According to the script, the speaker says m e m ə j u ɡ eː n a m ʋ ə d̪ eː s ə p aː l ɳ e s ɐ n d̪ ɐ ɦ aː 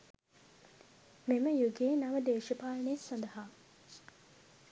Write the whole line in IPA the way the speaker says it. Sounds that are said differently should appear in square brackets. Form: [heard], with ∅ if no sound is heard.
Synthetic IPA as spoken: m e m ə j u ɡ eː n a [∅] ʋ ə d̪ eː [ʃ] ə p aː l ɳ e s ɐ n d̪ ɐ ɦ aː